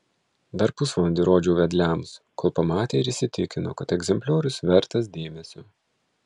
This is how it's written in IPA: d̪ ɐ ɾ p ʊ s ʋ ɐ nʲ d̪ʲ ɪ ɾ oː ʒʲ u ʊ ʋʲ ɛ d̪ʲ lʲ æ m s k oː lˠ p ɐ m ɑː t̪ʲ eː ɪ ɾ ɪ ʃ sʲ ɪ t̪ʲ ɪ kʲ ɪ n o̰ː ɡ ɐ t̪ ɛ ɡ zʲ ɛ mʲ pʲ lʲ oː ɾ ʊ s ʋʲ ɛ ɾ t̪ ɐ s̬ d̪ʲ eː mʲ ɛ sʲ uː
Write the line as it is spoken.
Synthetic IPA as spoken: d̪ ɐ ɾ p ʊ s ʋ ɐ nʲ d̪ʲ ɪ ɾ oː d͡ʒʲ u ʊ ʋʲ ɛ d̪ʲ lʲ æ m s k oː lˠ p ɐ m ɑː t̪ʲ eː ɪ ɾ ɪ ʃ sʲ ɪ t̪ʲ ɪ kʲ ɪ n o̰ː k ɐ t̪ ɛ ɡ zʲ ɛ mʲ pʲ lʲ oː ɾ ʊ s ʋʲ ɛ ɾ t̪ ɐ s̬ d̪ʲ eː mʲ ɛ sʲ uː

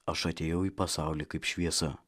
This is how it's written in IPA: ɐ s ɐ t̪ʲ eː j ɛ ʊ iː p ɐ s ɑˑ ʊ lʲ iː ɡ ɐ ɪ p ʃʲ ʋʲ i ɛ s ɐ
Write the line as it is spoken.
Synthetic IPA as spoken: ɐ ʃ ɐ t̪ʲ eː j ɛ ʊ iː p ɐ s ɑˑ ʊ lʲ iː k ɐ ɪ p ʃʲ ʋʲ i ɛ s ɐ

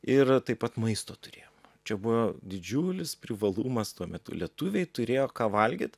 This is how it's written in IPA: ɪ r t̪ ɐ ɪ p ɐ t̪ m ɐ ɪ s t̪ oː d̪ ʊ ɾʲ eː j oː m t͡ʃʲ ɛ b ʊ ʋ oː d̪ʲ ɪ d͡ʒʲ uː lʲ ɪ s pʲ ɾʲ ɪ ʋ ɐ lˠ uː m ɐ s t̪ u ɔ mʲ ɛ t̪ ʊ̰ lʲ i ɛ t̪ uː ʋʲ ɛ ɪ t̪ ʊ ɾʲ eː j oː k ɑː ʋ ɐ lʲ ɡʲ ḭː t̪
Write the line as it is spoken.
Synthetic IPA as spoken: ɪ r t̪ ɐ ɪ p ɐ t̪ m ɐ ɪ s t̪ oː t̪ ʊ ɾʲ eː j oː m t͡ʃʲ ɛ b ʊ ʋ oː d̪ʲ ɪ d͡ʒʲ uː lʲ ɪ s pʲ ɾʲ ɪ ʋ ɐ lˠ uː m ɐ s t̪ u ɔ mʲ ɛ t̪ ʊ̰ lʲ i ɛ t̪ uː ʋʲ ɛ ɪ t̪ ʊ ɾʲ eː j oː k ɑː ʋ ɐ lʲ ɡʲ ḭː t̪

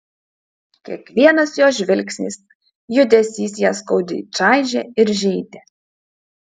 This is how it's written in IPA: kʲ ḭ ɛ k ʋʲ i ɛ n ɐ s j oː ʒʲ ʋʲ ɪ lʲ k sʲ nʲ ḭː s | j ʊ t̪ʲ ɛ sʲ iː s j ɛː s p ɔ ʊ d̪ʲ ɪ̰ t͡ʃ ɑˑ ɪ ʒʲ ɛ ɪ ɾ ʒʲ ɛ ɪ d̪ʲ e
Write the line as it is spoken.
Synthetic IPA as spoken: kʲ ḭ ɛ k ʋʲ i ɛ n ɐ s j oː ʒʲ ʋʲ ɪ lʲ k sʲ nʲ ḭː s | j ʊ d̪ʲ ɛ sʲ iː s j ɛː s k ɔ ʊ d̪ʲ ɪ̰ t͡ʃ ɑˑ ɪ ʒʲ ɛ ɪ ɾ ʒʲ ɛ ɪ d̪ʲ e

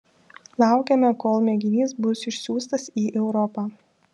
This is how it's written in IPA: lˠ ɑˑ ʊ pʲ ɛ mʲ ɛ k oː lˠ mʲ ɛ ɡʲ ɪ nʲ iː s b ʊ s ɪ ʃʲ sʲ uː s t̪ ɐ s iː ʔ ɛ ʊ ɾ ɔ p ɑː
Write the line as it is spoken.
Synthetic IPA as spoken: lˠ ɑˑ ʊ kʲ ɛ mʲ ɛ k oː lˠ mʲ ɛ ɡʲ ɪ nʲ iː s b ʊ s ɪ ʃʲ sʲ uː s t̪ ɐ s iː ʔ ɛ ʊ ɾ ɔ p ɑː

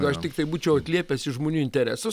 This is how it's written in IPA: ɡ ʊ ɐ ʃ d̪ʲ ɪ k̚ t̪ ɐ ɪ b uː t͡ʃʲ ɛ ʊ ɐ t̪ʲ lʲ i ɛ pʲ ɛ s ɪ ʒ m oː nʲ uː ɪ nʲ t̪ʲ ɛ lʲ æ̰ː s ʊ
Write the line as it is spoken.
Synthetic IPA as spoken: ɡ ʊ ɐ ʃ t̪ʲ ɪ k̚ t̪ ɐ ɪ b uː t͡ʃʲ ɛ ʊ ɐ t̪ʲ lʲ i ɛ pʲ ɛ s ɪ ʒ m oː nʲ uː ɪ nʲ t̪ʲ ɛ ɾʲ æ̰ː s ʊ

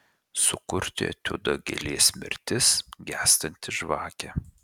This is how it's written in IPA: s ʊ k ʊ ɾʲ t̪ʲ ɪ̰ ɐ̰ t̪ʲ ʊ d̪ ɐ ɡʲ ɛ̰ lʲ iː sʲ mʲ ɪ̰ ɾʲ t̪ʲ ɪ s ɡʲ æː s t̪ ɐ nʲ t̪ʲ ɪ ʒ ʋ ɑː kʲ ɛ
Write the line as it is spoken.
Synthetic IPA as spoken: s ʊ k ʊ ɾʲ t̪ʲ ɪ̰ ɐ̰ t̪ʲ ʊ d̪ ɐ ɡʲ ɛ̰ lʲ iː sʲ mʲ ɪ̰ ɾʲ t̪ʲ ɪ s ɡʲ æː s t̪ ɐ nʲ t̪ʲ ɪ ʒ ʋ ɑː kʲ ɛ

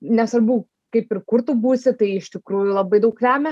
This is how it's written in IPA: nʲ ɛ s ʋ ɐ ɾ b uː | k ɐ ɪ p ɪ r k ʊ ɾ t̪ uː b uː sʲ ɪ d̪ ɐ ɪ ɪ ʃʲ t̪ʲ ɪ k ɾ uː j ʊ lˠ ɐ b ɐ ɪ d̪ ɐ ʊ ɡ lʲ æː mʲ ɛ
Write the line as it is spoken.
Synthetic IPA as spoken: nʲ ɛ s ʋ ɐ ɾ b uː | k ɐ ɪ p ɪ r k ʊ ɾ t̪ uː b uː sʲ ɪ t̪ ɐ ɪ ɪ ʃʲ t̪ʲ ɪ k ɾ uː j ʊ lˠ ɐ b ɐ ɪ d̪ ɐ ʊ k lʲ æː mʲ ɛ

